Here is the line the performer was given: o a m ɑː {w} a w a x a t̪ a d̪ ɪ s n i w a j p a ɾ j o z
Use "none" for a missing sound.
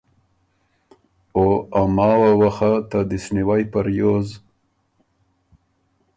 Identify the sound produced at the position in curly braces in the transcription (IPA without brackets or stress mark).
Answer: w